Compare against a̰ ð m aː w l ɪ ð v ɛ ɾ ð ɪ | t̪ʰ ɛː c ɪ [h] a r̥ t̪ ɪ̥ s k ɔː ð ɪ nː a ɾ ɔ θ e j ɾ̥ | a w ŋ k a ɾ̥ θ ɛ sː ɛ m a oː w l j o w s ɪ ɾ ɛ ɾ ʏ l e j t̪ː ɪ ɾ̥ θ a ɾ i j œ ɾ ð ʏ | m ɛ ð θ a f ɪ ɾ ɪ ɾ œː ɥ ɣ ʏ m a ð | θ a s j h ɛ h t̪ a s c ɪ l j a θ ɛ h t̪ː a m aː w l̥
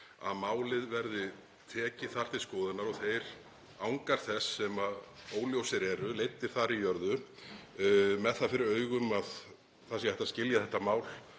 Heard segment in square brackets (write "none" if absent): θ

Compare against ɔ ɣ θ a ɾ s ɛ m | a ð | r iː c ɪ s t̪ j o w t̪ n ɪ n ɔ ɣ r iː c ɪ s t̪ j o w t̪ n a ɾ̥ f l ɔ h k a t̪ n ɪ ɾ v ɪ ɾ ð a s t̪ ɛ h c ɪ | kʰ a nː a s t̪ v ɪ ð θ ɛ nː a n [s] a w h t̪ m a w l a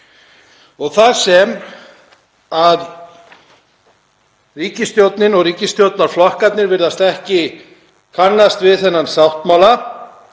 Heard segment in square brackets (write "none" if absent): s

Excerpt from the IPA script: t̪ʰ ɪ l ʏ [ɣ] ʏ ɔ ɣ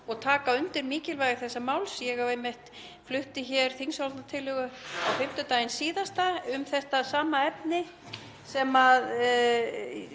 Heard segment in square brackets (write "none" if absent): ɣ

